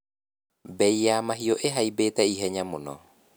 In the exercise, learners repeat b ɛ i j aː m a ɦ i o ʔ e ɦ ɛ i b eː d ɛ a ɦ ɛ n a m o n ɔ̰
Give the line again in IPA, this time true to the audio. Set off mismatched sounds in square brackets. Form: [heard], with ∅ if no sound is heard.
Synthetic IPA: b ɛ i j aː m a ɦ i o ʔ e ɦ [a] i b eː [t] ɛ [i] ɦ ɛ [ɲ] a m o n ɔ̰